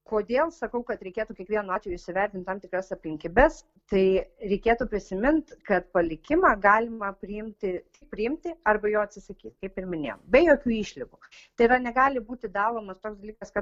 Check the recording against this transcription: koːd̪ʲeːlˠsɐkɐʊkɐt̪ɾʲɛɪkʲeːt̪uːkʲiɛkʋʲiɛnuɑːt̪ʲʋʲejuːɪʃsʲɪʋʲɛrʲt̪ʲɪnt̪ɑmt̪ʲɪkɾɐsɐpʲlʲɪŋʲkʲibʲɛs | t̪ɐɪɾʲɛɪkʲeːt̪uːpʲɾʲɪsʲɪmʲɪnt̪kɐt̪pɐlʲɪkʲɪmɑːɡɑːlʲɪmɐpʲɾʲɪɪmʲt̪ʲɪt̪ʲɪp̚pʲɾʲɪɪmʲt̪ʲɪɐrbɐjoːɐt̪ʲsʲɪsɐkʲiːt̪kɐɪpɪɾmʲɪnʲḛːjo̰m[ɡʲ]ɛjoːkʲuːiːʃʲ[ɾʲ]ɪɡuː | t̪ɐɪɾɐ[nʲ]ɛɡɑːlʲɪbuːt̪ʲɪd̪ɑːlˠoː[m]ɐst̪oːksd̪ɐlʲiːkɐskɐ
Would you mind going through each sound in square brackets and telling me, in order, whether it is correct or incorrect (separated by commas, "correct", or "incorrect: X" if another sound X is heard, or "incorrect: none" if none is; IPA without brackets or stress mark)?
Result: incorrect: bʲ, incorrect: lʲ, correct, correct